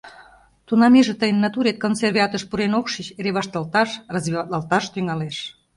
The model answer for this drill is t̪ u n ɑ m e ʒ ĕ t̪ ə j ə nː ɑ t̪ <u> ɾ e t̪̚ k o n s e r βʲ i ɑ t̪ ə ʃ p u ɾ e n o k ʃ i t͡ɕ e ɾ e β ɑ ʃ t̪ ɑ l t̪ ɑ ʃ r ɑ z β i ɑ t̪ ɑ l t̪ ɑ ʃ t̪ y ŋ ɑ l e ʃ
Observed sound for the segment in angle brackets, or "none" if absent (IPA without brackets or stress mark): u